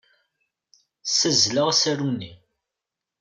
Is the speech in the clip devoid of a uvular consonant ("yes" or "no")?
no